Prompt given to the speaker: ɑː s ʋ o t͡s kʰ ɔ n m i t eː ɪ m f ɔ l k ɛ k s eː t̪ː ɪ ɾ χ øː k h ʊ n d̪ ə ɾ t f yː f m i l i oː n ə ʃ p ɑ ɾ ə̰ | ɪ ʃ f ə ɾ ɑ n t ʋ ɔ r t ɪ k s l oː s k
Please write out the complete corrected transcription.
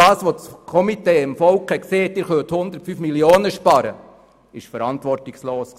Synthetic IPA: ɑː s ʋ o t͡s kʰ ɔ m i t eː ɪ m f ɔ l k ɛ k s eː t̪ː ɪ ɾ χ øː t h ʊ n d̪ ə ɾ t f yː f m i l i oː n ə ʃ p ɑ ɾ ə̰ | ɪ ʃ f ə ɾ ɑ n t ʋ ɔ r t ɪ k s l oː s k